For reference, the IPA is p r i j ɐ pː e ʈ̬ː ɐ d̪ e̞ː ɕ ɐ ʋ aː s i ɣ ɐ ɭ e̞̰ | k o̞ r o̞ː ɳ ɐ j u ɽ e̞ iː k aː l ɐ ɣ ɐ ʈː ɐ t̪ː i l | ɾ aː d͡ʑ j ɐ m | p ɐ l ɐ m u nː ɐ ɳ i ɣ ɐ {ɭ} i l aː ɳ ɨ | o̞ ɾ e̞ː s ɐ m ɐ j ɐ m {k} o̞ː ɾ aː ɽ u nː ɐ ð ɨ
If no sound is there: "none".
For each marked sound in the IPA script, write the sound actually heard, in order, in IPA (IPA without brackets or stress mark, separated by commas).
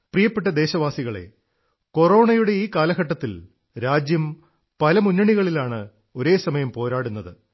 ɭ, p